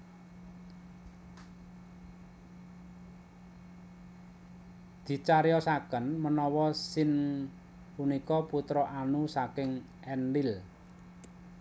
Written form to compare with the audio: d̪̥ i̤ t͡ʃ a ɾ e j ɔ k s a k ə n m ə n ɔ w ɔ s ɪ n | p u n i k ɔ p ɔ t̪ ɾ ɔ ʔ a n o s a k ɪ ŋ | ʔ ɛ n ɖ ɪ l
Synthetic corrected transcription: d̪̥ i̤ t͡ʃ a ɾ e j ɔ s a k ə n m ə n ɔ w ɔ s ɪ n | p u n i k ɔ p u t̪ ɾ ɔ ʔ a n u s a k ɪ ŋ | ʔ ɛ n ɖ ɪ l